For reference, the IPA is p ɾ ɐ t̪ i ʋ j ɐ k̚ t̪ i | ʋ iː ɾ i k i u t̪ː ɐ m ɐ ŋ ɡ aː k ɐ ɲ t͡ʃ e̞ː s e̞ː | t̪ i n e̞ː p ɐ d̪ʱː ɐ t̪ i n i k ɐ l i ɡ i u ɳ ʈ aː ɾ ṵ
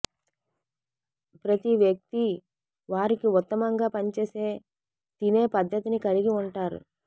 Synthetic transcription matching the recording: p ɾ ɐ t̪ i ʋ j ɐ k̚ t̪ i | ʋ aː ɾ i k i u t̪ː ɐ m ɐ ŋ ɡ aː p ɐ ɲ t͡ʃ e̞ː s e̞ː | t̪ i n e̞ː p ɐ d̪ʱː ɐ t̪ i n i k ɐ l i ɡ i u ɳ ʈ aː ɾ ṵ